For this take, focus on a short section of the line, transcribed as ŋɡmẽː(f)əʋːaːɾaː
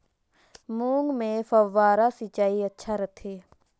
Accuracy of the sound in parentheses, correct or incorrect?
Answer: correct